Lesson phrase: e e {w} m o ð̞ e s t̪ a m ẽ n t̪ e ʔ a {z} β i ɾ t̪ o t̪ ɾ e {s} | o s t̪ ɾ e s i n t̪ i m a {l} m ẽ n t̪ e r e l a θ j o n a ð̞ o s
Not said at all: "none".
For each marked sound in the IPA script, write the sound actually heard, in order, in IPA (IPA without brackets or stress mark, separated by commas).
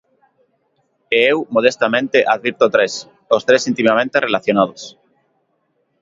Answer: w, ð, s, none